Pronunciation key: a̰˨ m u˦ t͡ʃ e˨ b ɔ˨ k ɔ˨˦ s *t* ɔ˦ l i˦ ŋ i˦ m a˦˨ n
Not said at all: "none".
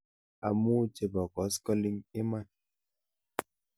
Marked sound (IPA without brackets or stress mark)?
k